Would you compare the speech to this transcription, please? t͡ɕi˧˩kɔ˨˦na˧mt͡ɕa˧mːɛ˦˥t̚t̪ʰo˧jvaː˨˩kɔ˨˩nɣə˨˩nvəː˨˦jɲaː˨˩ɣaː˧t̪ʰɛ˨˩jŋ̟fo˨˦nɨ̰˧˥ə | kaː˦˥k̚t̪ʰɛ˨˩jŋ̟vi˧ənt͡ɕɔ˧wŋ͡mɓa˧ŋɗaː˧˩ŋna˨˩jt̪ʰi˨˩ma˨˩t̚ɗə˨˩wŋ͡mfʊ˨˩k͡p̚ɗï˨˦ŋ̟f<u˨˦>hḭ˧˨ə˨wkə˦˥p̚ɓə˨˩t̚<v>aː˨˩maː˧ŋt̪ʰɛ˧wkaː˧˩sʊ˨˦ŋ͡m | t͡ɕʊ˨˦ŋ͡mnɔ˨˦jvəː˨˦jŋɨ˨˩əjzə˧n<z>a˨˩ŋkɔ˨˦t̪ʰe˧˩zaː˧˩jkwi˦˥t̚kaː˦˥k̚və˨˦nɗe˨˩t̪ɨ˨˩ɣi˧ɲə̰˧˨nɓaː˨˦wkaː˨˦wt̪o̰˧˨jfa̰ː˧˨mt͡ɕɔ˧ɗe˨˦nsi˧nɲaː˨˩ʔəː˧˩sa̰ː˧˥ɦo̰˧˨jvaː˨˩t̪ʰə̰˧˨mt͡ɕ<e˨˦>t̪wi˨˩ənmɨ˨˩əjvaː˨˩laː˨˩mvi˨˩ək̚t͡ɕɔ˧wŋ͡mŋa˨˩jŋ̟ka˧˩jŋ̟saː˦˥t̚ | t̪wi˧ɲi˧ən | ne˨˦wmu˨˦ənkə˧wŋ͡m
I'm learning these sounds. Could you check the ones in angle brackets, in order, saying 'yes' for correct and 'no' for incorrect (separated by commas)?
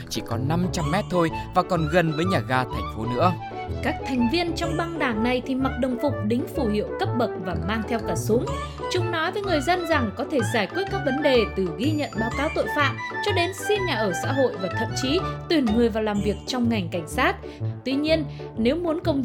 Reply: no, yes, yes, no